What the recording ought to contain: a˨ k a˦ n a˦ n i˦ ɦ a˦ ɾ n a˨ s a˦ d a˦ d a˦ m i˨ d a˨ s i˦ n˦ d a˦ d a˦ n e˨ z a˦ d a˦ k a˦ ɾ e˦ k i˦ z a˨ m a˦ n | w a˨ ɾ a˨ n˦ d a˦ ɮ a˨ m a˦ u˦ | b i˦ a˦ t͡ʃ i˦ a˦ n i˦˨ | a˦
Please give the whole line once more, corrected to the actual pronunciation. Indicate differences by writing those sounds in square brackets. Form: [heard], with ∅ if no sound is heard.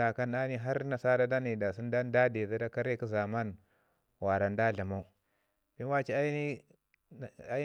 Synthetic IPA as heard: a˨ k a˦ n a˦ n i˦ ɦ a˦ ɾ n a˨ s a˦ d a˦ d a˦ [n] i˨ d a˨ s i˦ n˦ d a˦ d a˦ [d] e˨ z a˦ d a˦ k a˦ ɾ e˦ k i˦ z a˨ m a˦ n | w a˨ ɾ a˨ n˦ d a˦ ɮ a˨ m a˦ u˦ | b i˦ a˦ t͡ʃ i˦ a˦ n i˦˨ | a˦

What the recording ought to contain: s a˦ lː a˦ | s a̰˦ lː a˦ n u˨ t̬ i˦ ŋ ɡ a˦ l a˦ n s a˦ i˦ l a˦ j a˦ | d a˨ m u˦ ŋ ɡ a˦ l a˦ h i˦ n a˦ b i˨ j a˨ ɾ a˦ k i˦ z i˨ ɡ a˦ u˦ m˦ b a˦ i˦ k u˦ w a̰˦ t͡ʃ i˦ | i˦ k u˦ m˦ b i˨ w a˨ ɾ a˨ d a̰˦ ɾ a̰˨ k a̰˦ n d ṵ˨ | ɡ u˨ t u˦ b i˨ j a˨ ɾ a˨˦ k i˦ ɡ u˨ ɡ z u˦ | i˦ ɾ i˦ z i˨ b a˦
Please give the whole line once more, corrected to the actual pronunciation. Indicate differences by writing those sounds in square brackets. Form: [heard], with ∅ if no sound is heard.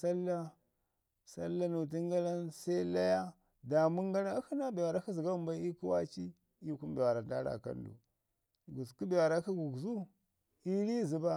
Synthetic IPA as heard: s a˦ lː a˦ | s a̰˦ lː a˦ n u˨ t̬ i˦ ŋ ɡ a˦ l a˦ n s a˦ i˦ l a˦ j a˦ | d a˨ m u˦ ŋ ɡ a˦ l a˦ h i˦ n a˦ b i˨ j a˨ ɾ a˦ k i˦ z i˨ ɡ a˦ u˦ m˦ b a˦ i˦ k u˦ w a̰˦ t͡ʃ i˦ | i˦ k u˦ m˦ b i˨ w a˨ ɾ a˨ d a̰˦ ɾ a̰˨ k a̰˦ n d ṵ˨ | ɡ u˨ [k] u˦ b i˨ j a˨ ɾ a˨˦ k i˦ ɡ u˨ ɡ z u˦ | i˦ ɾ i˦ z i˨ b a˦

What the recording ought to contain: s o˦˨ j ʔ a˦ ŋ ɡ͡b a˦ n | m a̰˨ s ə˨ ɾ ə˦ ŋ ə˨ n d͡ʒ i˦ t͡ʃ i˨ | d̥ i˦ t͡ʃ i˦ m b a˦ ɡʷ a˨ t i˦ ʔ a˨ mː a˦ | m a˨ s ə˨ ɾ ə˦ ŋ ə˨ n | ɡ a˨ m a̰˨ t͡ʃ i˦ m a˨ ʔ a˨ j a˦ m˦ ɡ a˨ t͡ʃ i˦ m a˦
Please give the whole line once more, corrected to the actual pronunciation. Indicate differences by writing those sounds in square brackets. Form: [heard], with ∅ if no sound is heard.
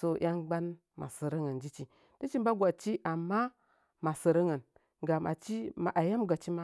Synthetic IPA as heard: s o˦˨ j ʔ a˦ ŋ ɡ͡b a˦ n | m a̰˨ s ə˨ ɾ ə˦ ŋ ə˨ n d͡ʒ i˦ t͡ʃ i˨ | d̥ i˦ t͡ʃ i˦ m b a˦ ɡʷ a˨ [t͡ʃ] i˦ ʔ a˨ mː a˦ | m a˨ s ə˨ ɾ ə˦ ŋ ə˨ n | ɡ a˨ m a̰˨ t͡ʃ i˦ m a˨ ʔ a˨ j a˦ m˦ ɡ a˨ t͡ʃ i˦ m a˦

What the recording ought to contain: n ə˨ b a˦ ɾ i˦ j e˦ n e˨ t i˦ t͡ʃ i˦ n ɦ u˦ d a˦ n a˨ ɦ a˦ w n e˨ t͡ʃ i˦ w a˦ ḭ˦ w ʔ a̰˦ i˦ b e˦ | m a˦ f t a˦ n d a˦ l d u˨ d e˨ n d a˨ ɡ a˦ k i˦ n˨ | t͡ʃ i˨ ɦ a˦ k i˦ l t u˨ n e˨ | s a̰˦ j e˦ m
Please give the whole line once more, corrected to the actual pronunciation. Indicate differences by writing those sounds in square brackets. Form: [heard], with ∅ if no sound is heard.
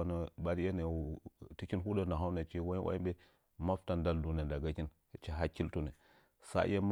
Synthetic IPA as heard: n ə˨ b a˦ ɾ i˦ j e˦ n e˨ t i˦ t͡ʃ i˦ n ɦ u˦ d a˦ n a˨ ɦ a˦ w n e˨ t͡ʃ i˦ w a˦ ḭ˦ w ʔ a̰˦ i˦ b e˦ | m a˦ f t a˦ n d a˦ l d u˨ [n] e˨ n d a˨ ɡ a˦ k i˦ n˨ | t͡ʃ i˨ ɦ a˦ k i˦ l t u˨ n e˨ | s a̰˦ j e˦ m

